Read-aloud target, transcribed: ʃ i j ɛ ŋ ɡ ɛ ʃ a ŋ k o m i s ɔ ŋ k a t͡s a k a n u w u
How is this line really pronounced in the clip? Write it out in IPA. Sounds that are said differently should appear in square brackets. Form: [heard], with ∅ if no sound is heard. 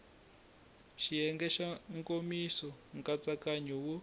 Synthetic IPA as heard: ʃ i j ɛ ŋ ɡ ɛ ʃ a ŋ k o m i s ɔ ŋ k a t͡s a k a [ɲ] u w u